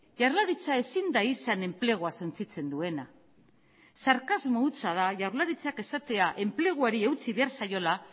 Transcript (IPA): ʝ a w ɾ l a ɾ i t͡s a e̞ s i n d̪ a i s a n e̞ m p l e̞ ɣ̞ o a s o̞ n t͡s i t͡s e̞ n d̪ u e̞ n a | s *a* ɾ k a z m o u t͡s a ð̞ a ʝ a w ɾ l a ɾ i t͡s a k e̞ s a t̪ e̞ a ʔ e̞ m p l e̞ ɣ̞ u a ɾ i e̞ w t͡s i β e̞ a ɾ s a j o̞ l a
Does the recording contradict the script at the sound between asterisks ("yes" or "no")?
no